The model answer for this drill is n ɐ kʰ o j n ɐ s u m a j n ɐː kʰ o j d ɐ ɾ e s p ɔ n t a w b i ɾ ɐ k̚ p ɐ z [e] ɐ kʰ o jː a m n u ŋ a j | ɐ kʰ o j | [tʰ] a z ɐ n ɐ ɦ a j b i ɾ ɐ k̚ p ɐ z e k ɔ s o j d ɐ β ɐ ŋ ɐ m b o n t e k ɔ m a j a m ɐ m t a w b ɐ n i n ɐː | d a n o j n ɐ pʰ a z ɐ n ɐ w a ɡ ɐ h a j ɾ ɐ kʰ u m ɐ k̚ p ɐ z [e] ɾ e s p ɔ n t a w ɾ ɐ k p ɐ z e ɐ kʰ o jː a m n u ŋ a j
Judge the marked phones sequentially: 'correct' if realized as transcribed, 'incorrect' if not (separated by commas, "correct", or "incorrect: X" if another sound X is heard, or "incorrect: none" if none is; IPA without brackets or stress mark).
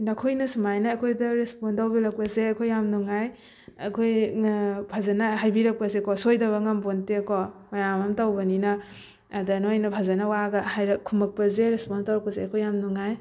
correct, incorrect: pʰ, correct